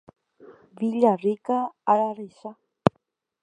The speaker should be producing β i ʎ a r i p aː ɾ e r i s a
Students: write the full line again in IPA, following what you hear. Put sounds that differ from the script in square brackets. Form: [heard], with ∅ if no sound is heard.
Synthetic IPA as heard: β i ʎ a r i [k] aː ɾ [a] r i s a